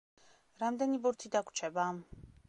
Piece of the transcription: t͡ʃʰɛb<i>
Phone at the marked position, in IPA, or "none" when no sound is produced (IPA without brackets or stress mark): a